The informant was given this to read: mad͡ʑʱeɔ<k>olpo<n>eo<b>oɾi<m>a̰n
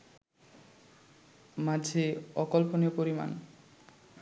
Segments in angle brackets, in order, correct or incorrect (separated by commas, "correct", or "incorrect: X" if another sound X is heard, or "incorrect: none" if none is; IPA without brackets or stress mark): correct, correct, incorrect: p, correct